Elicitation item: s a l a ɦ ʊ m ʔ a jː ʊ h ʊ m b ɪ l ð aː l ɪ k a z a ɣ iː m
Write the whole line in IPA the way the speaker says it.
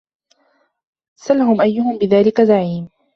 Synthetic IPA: s a l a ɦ ʊ m ʔ a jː ʊ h ʊ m b ɪ ð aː l ɪ k a z a ʕ iː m